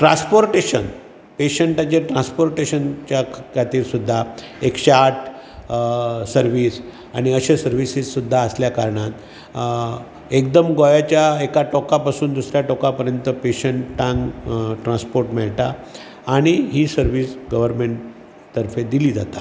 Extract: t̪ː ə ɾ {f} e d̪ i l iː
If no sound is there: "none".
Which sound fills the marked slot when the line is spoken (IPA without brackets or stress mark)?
f